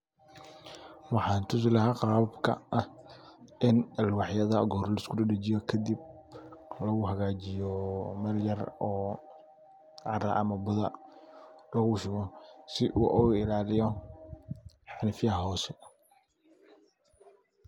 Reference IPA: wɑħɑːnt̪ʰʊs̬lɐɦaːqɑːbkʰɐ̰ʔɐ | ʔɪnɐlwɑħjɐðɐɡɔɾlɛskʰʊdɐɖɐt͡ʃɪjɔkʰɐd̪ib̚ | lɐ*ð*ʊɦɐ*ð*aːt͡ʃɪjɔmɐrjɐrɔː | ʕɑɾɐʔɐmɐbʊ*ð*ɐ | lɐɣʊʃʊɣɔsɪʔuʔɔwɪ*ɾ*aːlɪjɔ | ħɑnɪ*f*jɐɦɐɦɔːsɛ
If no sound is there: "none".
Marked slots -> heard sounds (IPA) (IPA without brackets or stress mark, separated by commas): ɣ, ɣ, ð, l, f